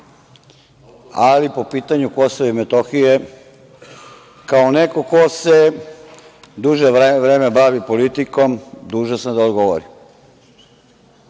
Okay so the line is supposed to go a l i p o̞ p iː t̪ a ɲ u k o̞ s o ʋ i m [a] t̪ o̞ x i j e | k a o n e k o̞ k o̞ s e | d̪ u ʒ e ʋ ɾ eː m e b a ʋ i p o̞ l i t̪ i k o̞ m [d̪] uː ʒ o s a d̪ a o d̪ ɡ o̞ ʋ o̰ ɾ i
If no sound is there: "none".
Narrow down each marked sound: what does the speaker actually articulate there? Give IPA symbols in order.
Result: e, d̪

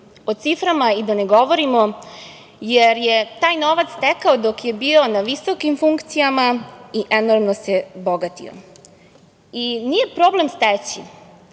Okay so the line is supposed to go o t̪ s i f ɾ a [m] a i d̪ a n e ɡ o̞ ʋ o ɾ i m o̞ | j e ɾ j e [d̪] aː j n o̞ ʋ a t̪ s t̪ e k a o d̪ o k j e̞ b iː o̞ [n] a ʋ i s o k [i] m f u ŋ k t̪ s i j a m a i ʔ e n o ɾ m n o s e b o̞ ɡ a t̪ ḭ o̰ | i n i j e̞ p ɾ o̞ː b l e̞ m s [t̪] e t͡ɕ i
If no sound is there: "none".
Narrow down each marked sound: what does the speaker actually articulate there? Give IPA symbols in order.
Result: m, t̪, n, i, t̪

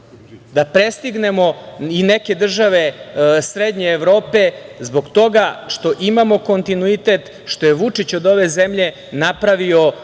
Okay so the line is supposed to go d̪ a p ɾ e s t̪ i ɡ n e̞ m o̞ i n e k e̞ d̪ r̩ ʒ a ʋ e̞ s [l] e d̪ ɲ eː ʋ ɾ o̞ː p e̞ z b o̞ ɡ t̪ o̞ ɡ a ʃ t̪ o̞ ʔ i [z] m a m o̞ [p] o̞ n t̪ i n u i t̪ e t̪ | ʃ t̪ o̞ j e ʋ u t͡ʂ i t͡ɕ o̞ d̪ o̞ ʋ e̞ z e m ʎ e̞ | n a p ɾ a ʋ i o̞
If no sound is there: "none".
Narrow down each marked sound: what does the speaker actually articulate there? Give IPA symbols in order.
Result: ɾ, none, k

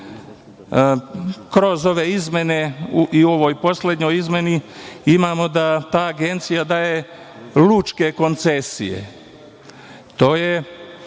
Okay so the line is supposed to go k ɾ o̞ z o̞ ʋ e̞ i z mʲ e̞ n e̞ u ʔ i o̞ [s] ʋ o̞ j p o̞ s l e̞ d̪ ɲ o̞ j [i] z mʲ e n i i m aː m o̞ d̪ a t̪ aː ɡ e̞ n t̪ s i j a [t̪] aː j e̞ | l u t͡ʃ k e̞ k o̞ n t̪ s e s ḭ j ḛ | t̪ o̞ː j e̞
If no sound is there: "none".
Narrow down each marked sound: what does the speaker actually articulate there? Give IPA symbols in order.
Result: none, i, d̪

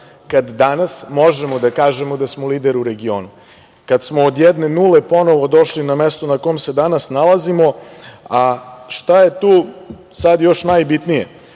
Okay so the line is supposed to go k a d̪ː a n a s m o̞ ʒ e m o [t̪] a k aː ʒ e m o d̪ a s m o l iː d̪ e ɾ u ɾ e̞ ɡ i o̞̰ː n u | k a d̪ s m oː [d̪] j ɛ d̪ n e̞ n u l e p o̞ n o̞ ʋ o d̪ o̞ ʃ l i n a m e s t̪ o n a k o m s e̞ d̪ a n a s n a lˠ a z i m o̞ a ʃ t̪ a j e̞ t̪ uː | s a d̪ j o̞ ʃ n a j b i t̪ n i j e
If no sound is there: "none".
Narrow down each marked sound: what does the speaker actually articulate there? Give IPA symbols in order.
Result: d̪, d̪

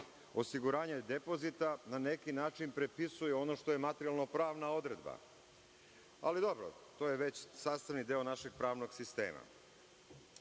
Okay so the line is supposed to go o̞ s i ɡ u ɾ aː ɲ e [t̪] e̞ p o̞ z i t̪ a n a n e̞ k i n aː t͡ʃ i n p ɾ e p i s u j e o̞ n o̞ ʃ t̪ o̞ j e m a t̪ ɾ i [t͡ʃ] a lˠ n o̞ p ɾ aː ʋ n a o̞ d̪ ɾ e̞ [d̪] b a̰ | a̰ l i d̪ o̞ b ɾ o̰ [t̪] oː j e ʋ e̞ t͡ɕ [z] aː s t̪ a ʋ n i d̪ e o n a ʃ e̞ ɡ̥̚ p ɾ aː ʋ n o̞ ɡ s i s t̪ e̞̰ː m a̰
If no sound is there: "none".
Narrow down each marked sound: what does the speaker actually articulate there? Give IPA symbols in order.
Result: d̪, none, d̪, t̪, s

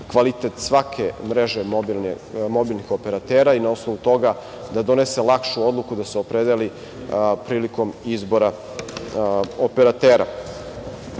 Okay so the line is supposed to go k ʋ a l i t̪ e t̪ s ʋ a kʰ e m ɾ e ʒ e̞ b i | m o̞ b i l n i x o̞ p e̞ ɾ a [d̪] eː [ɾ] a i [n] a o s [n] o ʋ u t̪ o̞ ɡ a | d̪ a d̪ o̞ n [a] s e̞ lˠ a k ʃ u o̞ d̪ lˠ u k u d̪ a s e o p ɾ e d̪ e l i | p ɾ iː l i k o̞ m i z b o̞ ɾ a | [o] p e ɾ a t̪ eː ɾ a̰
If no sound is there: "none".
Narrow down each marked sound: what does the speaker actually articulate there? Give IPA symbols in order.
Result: t̪, ɾ, n, n, e, o

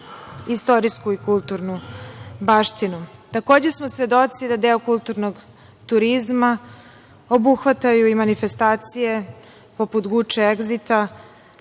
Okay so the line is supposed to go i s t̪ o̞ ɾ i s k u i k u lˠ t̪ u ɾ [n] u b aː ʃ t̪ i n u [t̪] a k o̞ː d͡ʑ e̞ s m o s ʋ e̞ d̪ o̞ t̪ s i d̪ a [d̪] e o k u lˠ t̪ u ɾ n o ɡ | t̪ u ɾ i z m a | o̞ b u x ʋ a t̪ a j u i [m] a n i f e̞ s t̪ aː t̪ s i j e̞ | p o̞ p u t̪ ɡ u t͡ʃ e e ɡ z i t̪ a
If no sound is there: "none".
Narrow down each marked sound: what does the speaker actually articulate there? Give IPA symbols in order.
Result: n, t̪, d̪, m

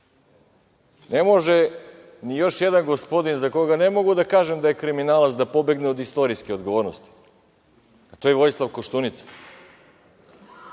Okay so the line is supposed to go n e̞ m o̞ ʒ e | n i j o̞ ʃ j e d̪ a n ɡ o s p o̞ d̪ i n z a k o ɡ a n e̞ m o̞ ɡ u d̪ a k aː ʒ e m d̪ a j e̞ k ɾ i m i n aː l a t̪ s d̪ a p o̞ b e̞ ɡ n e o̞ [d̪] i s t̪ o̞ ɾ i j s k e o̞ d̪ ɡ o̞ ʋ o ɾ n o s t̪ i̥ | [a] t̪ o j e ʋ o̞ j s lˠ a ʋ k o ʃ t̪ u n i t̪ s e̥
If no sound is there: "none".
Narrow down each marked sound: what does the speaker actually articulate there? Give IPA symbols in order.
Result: d̪, a

